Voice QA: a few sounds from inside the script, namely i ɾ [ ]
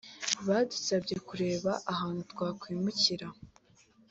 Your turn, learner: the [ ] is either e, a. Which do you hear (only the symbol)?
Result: a